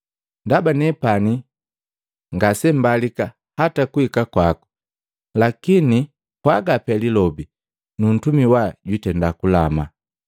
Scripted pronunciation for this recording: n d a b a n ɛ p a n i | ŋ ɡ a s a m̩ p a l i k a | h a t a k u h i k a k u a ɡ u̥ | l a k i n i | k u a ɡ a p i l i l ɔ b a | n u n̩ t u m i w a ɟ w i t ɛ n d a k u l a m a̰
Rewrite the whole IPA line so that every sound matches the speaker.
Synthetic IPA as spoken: n d a b a n ɛ p a n i | ŋ ɡ a s ɛ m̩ b a l i k a | h a t a k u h i k a k w a k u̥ | l a k i n i | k w a ɡ a p ɛ l i l ɔ b i | n u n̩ t u m i w a ɟ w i t ɛ n d a k u l a m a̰

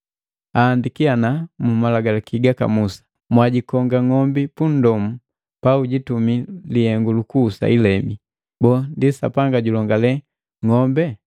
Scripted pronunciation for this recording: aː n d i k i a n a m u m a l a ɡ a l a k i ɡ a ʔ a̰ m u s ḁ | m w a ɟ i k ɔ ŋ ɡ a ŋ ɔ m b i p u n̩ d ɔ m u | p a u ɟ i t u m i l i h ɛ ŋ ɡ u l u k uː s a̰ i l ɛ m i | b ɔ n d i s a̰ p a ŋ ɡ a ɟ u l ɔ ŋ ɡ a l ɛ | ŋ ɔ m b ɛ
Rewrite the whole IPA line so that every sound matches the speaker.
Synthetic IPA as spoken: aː n d i k i a n a m u m a l a ɡ a l a k i ɡ a k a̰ m u s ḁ | m w a ɟ i k ɔ ŋ ɡ a ŋ ɔ m b i p u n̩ d ɔ m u | p a u ɟ i t u m i l i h ɛ ŋ ɡ u l u k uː s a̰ i l ɛ m i | b ɔ n d i s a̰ p a ŋ ɡ a ɟ u l ɔ ŋ ɡ a l ɛ | ŋ ɔ m b ɛ

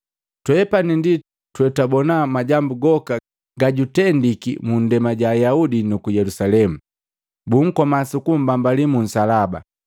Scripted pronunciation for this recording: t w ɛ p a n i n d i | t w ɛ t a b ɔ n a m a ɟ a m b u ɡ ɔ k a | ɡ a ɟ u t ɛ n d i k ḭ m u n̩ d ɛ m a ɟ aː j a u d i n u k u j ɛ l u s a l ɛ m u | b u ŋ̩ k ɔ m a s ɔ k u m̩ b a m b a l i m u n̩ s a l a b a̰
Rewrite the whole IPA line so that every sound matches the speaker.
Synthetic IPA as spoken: t w ɛ p a n i n d i | t w ɛ t a b ɔ n a m a ɟ a m b u ɡ ɔ k a | ɡ a ɟ u t ɛ n d i k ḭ m u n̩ d ɛ m a ɟ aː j a u d i n u k u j ɛ l u s a l ɛ m u | b u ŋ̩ k ɔ m a s u k u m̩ b a m b a l i m u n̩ s a l a b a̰

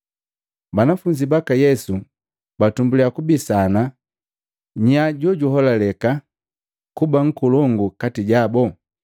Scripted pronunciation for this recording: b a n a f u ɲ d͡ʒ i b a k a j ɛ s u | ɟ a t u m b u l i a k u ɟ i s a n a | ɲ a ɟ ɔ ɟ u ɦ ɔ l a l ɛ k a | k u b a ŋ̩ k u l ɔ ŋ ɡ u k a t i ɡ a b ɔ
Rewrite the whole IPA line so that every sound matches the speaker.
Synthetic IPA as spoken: b a n a f u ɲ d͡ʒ i b a k a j ɛ s u | b a t u m b u l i a k u b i s a n a | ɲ a ɟ ɔ ɟ u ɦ ɔ l a l ɛ k a | k u b a ŋ̩ k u l ɔ ŋ ɡ u k a t i ɟ a b ɔ

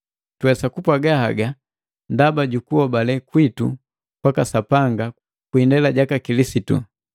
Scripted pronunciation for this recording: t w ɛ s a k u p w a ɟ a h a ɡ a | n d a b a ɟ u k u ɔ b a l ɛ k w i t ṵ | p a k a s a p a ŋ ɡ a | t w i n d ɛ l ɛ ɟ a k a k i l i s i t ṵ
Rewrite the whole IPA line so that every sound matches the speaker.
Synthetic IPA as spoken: t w ɛ s a k u p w a ɡ a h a ɡ a | n d a b a ɟ u k u ɔ b a l ɛ k w i t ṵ | p a k a s a p a ŋ ɡ a | k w i n d ɛ l a ɟ a k a k i l i s i t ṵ

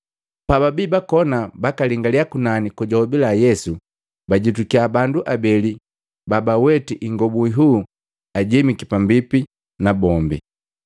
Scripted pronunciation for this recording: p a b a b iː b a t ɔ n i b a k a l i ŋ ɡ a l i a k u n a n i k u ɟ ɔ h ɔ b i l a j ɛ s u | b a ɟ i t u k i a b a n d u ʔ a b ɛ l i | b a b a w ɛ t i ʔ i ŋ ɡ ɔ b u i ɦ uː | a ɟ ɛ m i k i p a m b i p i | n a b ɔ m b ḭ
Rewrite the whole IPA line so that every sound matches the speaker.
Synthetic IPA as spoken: p a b a b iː b a k ɔ n a b a k a l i ŋ ɡ a l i a k u n a n i k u ɟ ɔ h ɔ b i l a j ɛ s u | b a ɟ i t u k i a b a n d u ʔ a b ɛ l i | b a b a w ɛ t i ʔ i ŋ ɡ ɔ b u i ɦ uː | a ɟ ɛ m i k i p a m b i p i | n a b ɔ m b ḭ

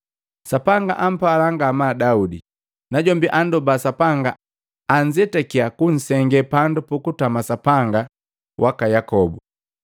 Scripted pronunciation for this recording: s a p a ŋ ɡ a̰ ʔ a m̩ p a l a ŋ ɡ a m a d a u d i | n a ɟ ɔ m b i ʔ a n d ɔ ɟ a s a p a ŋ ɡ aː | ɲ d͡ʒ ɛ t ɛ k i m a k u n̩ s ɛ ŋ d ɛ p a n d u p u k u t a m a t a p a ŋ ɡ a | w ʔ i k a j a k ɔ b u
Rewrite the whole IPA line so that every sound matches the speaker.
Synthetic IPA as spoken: s a p a ŋ ɡ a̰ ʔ a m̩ p a l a ŋ ɡ a m a d a u d i | n a ɟ ɔ m b i ʔ a n d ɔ b a s a p a ŋ ɡ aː | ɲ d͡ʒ ɛ t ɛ k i a k u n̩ s ɛ ŋ ɡ ɛ p a n d u p u k u t a m a s a p a ŋ ɡ a | w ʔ a k a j a k ɔ b u

